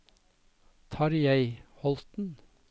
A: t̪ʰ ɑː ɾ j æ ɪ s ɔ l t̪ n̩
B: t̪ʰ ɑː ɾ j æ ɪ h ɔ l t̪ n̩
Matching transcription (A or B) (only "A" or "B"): B